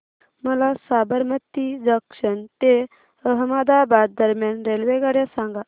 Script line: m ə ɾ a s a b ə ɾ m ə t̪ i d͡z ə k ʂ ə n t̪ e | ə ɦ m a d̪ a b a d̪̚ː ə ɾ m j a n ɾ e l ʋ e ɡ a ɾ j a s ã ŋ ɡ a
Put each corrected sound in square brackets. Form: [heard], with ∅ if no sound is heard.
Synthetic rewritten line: m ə [l] a s a b ə ɾ m ə t̪ i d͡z ə k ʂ ə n t̪ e | ə ɦ m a d̪ a b a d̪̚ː ə ɾ m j a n ɾ e l ʋ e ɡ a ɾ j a s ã ŋ ɡ a